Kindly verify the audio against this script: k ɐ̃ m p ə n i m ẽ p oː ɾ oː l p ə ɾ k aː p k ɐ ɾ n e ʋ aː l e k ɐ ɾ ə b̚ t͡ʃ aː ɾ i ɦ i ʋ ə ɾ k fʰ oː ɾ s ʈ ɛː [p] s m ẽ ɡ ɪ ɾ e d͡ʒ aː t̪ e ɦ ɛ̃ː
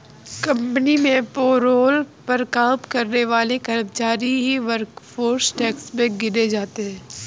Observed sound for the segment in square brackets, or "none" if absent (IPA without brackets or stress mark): k